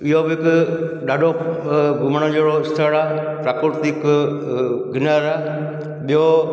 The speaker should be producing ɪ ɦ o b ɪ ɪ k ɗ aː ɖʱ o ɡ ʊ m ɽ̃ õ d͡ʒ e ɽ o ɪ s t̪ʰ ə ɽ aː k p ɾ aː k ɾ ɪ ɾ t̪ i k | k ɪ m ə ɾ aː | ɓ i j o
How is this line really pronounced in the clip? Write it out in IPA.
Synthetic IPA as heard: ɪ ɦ o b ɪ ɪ k ɗ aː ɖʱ o ɡ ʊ m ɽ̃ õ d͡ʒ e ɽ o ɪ s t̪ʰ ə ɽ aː p ɾ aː k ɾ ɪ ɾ t̪ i k | ɡ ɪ n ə ɾ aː | ɓ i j o